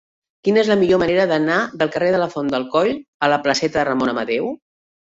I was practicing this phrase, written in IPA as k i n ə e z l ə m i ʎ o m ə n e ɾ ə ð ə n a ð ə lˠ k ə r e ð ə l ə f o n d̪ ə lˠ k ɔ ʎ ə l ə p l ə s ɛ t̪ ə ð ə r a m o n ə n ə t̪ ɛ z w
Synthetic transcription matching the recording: k i n ə e z l ə m i ʎ o m ə n e ɾ ə ð ə n a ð ə lˠ k ə r e ð ə l ə f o n d̪ ə lˠ k ɔ ʎ ə l ə p l ə s ɛ t̪ ə ð ə r ə m o n ə m ə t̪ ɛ w